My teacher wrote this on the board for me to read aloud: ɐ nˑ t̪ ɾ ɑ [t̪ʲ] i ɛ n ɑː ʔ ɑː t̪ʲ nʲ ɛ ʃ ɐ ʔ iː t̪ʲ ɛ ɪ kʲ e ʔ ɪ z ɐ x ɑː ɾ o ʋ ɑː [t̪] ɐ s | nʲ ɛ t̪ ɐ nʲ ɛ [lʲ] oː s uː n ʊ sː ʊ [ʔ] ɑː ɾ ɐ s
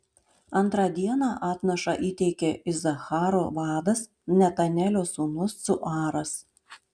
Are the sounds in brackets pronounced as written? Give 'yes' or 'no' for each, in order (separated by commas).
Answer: no, no, yes, yes